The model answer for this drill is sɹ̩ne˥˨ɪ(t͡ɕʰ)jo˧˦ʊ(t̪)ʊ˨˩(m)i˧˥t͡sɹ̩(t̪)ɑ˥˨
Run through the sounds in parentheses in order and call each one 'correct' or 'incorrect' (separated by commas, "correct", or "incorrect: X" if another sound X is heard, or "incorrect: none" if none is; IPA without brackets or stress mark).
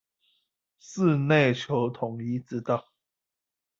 correct, incorrect: t̪ʰ, incorrect: ŋ, correct